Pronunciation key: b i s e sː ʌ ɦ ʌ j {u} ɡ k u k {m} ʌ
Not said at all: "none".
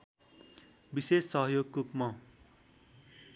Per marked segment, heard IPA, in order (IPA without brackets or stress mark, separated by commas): o, m